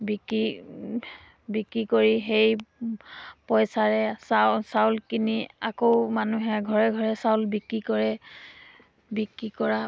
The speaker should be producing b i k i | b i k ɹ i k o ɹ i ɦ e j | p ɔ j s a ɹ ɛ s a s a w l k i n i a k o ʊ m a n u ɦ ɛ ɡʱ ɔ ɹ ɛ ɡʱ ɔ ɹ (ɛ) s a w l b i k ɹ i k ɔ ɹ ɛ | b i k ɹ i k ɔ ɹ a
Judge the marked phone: correct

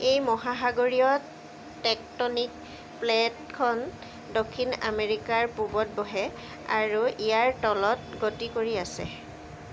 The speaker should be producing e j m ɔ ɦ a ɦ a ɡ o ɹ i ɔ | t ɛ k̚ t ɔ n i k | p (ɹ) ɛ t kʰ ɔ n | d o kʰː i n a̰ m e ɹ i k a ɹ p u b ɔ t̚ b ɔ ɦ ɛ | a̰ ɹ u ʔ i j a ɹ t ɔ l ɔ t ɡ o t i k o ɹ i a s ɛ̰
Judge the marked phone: incorrect: l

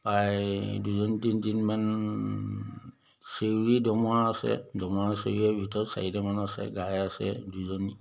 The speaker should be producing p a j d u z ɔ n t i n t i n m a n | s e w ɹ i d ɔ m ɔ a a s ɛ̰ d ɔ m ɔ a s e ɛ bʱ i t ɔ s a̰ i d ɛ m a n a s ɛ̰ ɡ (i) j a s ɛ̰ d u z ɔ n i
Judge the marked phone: incorrect: a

